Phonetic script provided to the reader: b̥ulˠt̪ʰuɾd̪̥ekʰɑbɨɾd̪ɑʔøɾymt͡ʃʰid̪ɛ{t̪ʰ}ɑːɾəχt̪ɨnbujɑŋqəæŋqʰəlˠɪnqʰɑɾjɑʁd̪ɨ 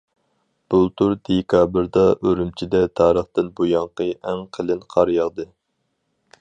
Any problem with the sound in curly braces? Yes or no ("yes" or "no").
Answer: no